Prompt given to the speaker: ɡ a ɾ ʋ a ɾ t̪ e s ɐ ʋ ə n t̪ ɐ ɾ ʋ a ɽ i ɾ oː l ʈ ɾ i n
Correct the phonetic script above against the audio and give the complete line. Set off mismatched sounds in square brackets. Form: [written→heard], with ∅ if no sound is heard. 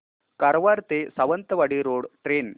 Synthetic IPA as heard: [ɡ→k] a ɾ ʋ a ɾ t̪ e s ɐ ʋ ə n t̪ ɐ [ɾ→∅] ʋ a ɽ i ɾ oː [l→ɽ] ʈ ɾ [i→e] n